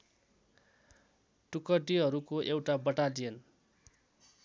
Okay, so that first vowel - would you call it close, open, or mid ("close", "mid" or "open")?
close